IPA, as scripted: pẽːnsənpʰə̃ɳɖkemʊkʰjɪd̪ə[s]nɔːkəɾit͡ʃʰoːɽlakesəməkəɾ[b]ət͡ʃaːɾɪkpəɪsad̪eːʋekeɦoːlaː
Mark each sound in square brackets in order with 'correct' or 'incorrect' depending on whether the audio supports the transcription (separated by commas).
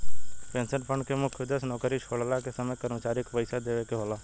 correct, incorrect